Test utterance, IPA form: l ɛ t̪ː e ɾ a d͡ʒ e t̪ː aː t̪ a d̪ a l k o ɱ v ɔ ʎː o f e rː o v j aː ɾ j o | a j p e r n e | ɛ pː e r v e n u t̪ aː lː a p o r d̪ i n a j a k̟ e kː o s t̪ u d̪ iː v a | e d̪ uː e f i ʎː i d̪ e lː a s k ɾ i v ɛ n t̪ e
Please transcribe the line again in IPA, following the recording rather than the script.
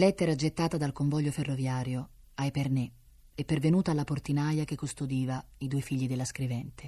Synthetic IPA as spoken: l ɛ t̪ː e ɾ a d͡ʒ e t̪ː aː t̪ a d̪ a l k o ɱ v ɔ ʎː o f e rː o v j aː ɾ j o | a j p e r n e | ɛ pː e r v e n uː t̪ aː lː a p o r t̪ i n a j a k̟ e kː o s t̪ o d̪ iː v a | i d̪ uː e f i ʎː i d̪ e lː a s k ɾ i v ɛ n t̪ e